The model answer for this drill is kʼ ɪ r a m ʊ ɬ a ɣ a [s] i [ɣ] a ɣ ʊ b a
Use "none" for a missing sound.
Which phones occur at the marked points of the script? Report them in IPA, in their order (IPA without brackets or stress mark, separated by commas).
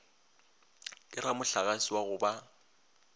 s, w